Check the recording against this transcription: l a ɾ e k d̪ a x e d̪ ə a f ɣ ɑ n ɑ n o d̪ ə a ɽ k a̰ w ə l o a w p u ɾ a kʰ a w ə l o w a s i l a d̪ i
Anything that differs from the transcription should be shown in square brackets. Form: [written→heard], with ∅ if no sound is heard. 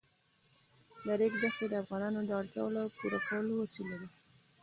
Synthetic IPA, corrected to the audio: l a ɾ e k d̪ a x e d̪ ə a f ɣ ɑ n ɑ n o d̪ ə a ɽ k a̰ w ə l o a w p u ɾ a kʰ a w ə l o w a s i l a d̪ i